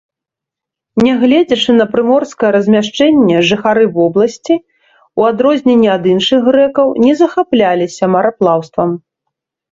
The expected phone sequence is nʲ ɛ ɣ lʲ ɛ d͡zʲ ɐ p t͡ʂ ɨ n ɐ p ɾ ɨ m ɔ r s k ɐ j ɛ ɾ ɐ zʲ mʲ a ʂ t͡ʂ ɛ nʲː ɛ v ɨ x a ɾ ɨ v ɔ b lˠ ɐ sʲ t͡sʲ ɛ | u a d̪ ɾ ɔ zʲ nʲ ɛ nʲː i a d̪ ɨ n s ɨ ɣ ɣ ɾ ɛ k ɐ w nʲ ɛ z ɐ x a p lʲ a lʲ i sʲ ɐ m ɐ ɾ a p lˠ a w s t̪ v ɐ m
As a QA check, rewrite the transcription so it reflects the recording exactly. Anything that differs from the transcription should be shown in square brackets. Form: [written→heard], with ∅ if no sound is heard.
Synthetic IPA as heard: nʲ ɛ ɣ lʲ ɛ d͡zʲ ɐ [p→∅] t͡ʂ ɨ n ɐ p ɾ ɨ m ɔ r s k ɐ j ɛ ɾ ɐ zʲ mʲ a ʂ t͡ʂ ɛ nʲː ɛ [v→ʐ] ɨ x a ɾ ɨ v ɔ b lˠ ɐ sʲ t͡sʲ [ɛ→i] | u a d̪ ɾ ɔ zʲ nʲ ɛ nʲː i a d̪ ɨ n [s→ʂ] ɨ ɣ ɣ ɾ ɛ k ɐ w nʲ ɛ z ɐ x a p lʲ a lʲ i sʲ ɐ m ɐ ɾ a p lˠ a w s t̪ v ɐ m